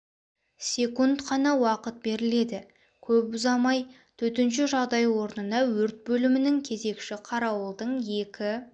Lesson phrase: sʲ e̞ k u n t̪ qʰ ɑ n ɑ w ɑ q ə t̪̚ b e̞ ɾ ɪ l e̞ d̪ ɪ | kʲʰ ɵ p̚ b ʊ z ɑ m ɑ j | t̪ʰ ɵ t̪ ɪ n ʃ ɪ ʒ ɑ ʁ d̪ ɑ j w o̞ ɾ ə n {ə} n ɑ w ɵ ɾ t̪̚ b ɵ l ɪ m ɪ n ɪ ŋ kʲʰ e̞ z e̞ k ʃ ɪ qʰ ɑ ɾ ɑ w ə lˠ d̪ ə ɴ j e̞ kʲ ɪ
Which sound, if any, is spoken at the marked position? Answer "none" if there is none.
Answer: ə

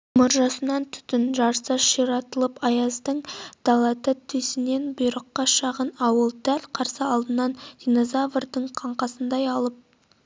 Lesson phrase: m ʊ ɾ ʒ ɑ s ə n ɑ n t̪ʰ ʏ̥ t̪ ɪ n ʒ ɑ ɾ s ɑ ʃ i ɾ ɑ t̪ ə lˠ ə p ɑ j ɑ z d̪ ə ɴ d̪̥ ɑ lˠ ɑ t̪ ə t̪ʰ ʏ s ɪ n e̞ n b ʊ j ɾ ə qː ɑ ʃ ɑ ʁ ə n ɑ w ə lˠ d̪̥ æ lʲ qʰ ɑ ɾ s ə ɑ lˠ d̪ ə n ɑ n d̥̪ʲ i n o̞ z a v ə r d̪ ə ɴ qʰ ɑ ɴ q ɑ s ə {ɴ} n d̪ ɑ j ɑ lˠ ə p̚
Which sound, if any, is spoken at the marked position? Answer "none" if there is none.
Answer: none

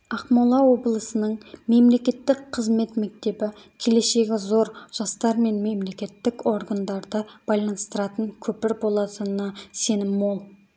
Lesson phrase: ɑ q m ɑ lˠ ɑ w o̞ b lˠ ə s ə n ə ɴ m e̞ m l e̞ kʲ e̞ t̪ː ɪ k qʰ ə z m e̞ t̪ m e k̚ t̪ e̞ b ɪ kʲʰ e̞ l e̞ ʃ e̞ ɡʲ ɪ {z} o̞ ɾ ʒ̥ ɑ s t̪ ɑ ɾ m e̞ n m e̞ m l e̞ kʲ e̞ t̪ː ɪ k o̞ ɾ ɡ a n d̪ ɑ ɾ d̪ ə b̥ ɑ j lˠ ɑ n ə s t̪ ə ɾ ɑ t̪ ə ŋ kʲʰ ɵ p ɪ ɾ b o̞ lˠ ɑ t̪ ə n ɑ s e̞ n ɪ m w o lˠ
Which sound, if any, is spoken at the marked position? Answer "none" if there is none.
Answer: z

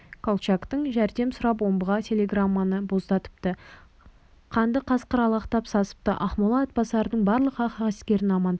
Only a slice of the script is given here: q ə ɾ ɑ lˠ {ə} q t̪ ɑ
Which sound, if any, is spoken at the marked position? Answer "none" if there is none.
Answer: ɑ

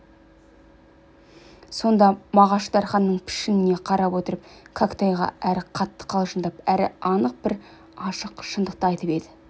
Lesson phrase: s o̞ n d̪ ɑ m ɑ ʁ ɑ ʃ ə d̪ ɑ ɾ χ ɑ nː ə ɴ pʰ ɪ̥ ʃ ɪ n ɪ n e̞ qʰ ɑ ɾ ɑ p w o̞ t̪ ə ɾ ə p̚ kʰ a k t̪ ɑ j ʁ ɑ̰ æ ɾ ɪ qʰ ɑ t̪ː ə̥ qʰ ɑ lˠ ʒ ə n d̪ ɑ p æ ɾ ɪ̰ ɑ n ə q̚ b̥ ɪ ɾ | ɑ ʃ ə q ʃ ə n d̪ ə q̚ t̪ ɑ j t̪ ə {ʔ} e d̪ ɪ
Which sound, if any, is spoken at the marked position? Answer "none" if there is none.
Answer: p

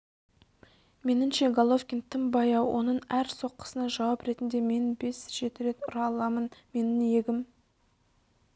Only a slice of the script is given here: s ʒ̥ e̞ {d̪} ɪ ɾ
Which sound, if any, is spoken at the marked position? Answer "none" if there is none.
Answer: t̪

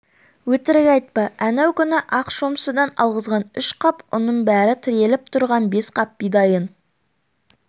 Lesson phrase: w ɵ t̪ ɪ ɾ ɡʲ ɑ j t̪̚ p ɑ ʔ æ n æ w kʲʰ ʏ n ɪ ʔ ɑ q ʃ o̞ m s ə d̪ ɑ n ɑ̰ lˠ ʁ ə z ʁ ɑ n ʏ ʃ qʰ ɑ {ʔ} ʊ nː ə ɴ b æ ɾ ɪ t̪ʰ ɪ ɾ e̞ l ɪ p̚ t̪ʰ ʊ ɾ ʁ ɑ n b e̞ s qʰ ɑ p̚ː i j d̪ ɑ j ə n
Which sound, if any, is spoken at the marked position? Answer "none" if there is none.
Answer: p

